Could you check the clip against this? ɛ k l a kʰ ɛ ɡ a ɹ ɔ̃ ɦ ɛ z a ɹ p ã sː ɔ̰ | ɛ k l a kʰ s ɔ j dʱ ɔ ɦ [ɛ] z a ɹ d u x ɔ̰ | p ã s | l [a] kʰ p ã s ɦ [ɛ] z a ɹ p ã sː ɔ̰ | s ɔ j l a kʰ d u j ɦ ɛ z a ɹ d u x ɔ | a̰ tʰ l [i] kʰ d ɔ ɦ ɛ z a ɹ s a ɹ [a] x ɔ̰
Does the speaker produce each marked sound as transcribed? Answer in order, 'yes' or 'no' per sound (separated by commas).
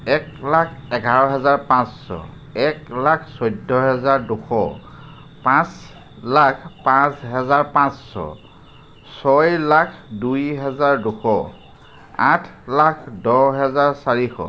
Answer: yes, yes, yes, no, no